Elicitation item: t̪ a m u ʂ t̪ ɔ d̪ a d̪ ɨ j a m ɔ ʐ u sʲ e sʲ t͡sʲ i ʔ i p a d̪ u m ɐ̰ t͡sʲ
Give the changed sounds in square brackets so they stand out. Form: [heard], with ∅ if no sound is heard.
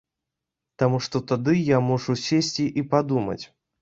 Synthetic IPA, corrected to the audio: t̪ a m u ʂ t̪ ɔ [t̪] a d̪ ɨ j a m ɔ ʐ u sʲ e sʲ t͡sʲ i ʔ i p a d̪ u m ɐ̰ t͡sʲ